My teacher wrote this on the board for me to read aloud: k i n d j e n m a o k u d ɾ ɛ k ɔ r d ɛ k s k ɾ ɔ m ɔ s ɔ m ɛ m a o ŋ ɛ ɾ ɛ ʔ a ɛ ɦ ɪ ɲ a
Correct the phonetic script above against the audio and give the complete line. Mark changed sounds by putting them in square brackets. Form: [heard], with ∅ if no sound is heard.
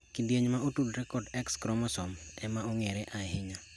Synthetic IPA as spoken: k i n d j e [ɲ] m a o [t] u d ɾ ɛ k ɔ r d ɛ k s k ɾ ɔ m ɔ s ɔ m ɛ m a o ŋ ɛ ɾ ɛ ʔ a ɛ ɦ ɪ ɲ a